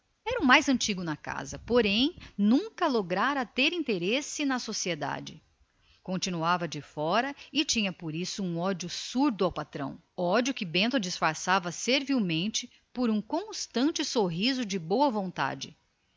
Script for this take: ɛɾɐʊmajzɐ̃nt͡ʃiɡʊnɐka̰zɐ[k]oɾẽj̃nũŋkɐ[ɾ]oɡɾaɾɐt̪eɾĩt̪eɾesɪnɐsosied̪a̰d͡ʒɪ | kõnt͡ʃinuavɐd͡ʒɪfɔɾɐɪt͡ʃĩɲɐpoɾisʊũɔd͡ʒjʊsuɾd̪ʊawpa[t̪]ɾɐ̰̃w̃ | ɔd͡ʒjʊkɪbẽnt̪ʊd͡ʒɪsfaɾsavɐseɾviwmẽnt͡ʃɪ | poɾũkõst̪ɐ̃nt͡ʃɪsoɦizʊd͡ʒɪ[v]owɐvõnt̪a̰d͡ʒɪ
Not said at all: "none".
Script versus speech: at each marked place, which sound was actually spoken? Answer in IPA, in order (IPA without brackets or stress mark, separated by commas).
p, l, t̪, b